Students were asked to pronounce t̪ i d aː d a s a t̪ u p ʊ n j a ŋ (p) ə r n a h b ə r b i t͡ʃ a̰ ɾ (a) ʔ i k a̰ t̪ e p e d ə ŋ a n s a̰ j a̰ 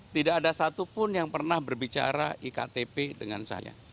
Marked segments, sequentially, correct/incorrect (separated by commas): correct, correct